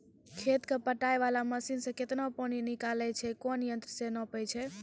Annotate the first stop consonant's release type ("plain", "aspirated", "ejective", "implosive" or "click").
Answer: aspirated